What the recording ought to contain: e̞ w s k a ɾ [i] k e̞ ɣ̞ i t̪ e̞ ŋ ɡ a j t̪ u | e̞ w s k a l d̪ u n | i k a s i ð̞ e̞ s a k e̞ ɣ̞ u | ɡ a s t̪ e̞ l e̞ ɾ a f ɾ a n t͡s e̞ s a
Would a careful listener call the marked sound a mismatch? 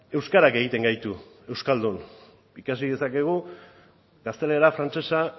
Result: yes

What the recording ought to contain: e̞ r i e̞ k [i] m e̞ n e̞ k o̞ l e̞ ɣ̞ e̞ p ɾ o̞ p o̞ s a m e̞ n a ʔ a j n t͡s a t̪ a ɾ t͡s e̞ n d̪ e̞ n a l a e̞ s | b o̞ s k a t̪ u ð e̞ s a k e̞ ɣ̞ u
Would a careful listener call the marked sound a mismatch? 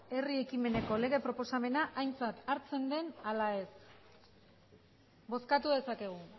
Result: no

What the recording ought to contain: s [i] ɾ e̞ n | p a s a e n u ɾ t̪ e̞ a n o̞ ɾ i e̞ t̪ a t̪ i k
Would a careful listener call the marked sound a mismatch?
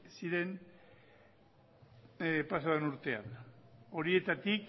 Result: no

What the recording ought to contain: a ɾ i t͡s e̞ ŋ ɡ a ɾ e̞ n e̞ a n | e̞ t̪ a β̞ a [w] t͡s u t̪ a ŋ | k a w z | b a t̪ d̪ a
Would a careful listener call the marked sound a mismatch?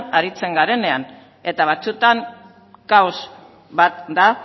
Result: yes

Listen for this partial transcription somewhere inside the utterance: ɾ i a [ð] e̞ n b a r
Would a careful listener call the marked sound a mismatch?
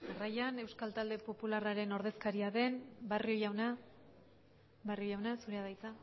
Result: no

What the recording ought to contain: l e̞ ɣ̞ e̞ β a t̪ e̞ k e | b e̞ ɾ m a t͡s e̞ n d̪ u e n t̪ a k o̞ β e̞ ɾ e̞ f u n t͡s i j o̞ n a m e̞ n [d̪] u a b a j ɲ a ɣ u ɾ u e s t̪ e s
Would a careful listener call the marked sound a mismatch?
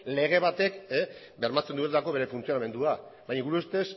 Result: no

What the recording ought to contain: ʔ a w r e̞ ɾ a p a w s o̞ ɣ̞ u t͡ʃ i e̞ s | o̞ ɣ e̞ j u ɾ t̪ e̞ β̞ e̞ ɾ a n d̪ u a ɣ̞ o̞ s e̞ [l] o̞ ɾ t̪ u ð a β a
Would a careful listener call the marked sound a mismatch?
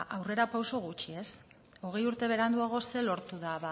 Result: no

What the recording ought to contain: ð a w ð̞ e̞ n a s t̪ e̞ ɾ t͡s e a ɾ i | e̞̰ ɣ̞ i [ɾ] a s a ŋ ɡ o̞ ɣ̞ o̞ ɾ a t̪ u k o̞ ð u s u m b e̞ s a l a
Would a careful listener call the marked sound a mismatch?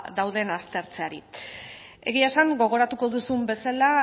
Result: yes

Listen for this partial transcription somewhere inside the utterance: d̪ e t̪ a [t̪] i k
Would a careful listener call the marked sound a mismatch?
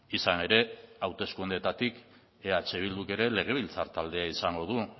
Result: no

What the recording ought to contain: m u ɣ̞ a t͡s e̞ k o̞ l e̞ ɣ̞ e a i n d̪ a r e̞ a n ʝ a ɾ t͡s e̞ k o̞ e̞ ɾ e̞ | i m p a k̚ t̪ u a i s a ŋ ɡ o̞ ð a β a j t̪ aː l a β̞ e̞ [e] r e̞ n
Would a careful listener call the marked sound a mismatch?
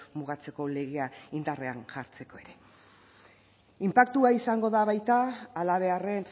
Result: yes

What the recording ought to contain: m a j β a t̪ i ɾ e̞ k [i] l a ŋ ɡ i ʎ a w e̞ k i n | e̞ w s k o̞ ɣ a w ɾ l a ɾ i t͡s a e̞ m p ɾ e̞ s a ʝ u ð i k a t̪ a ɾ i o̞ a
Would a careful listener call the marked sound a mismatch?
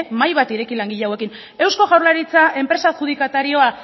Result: no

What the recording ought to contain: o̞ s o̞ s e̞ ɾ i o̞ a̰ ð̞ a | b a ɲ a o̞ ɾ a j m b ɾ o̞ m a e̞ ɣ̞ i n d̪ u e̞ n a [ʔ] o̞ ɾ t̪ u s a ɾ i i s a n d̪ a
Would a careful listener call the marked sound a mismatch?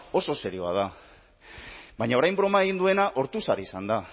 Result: no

